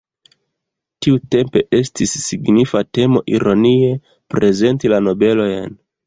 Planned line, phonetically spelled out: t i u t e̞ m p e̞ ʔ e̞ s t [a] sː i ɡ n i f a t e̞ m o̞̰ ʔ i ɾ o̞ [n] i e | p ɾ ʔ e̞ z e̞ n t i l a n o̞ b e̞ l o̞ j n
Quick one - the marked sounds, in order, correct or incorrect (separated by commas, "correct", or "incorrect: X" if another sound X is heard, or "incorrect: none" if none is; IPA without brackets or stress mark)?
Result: incorrect: i, correct